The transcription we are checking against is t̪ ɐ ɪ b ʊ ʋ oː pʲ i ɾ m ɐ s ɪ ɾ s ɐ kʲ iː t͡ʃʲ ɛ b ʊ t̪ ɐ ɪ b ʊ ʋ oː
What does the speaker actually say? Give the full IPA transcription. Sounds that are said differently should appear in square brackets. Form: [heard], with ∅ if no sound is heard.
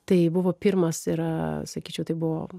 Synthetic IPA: t̪ ɐ ɪ b ʊ ʋ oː pʲ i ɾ m ɐ s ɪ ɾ s ɐ kʲ iː t͡ʃʲ ɛ [∅] ʊ t̪ ɐ ɪ b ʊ ʋ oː